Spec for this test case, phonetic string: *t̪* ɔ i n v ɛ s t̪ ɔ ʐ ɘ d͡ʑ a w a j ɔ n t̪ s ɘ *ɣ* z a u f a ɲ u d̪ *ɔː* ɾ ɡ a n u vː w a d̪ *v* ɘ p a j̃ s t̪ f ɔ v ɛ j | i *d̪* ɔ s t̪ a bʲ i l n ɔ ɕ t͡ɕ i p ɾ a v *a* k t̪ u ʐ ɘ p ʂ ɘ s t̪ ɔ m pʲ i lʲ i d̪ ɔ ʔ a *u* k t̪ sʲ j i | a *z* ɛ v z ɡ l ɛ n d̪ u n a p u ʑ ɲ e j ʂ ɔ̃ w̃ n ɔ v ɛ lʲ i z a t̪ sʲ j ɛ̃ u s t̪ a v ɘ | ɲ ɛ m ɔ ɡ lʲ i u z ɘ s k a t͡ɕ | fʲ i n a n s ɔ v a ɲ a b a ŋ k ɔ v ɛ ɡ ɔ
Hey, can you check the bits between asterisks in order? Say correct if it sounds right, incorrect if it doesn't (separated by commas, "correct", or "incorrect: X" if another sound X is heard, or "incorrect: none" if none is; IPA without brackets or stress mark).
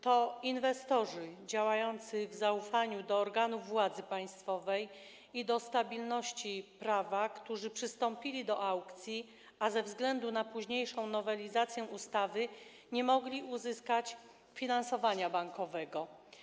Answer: correct, incorrect: v, correct, incorrect: z, correct, correct, incorrect: w, correct